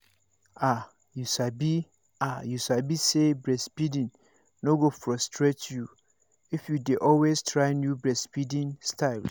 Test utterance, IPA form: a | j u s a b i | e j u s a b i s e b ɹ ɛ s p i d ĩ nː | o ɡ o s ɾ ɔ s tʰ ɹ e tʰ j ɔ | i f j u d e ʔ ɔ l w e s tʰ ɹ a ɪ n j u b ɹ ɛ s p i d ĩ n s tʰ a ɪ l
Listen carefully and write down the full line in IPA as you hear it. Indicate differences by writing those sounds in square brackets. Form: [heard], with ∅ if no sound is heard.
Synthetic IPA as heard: a | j u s a b i | [a] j u s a b i s e b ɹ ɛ s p i d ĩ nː | o ɡ o [f] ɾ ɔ s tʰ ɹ e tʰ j [u] | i f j u d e ʔ ɔ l w e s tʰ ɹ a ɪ n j u b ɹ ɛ s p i d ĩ n s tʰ a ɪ l